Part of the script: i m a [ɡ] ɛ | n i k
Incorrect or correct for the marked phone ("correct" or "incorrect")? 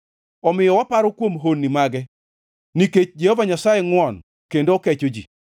correct